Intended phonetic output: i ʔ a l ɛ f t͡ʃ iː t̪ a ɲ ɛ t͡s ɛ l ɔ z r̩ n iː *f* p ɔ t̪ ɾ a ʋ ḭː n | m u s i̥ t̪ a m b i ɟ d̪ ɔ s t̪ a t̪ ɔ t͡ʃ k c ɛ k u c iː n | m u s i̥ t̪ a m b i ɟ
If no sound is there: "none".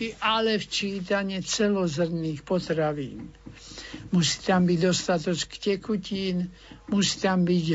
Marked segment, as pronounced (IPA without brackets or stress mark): x